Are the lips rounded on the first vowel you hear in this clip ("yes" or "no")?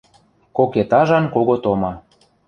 yes